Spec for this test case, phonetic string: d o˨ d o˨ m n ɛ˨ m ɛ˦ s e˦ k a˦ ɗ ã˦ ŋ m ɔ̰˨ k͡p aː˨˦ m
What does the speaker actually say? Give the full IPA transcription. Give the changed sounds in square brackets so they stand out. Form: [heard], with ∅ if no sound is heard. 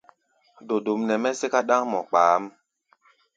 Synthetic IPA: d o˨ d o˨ m n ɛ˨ m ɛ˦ s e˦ k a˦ ɗ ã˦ ŋ m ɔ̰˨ k͡p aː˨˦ m